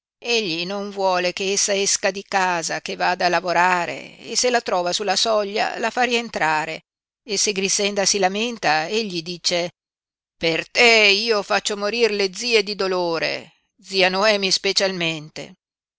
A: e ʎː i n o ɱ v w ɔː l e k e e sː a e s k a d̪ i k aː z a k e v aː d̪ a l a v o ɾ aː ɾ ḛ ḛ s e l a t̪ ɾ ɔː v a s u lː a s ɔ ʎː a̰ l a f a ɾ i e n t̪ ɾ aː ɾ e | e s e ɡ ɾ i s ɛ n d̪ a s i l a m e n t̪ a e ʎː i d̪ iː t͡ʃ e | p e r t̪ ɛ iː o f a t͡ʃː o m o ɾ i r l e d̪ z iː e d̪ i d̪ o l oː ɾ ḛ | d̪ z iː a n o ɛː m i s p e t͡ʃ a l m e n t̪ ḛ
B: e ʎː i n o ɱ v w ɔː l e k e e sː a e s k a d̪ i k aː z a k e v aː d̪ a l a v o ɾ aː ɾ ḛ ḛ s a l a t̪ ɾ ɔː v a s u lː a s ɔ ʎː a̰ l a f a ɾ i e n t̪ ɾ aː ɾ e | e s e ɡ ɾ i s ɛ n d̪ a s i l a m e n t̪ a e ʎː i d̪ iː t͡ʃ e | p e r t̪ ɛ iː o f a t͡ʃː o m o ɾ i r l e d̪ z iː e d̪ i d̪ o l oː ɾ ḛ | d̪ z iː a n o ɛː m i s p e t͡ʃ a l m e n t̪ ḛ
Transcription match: A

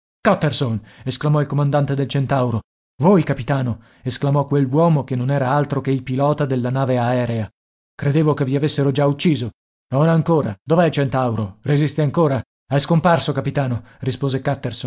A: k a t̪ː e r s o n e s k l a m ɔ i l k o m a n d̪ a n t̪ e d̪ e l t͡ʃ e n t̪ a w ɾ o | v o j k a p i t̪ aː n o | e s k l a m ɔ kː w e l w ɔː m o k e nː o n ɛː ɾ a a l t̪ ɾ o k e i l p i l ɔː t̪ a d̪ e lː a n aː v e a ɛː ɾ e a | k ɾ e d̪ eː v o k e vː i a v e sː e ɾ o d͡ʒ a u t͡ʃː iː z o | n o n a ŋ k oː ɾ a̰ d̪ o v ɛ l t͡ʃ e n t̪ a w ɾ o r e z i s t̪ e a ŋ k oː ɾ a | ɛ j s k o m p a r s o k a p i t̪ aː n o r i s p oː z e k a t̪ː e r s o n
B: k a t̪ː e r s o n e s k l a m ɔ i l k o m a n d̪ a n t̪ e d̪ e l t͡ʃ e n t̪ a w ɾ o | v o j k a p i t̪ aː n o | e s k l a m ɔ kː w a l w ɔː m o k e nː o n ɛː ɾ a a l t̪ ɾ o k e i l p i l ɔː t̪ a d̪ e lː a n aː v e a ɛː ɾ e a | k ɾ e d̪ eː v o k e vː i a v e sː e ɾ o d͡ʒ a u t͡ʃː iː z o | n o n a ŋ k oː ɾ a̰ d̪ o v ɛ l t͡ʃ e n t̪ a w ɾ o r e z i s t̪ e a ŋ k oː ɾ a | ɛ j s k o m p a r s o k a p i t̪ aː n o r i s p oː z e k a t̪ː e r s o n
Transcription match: A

